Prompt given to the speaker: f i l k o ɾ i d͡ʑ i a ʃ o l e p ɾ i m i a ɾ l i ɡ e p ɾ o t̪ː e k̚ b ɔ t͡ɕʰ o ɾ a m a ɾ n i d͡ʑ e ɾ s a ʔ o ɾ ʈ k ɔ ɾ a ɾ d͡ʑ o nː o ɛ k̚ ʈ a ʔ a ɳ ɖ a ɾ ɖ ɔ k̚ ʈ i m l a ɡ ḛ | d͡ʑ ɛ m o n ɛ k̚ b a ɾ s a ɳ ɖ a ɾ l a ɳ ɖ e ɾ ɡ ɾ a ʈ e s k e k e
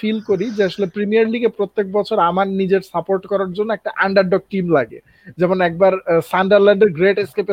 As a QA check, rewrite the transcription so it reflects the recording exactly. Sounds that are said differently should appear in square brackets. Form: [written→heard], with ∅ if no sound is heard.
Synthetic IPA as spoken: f i l k o ɾ i d͡ʑ [i→e] a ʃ o l e p ɾ i m i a ɾ l i ɡ e p ɾ o t̪ː e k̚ b ɔ t͡ɕʰ o ɾ a m a ɾ n i d͡ʑ e ɾ s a [ʔ→p] o ɾ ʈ k ɔ ɾ a ɾ d͡ʑ o nː o ɛ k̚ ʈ a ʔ a ɳ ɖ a ɾ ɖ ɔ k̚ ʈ i m l a ɡ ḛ | d͡ʑ ɛ m o n ɛ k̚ b a ɾ s a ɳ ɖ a ɾ l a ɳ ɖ e ɾ ɡ ɾ [a→e] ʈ e s k e [k→p] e